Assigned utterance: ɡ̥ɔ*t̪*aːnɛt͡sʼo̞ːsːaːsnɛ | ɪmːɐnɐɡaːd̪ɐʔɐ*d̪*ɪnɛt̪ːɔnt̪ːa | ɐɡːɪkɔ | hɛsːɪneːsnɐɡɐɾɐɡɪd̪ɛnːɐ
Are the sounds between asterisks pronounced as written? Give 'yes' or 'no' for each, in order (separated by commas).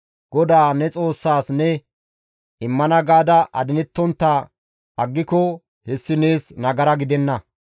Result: no, yes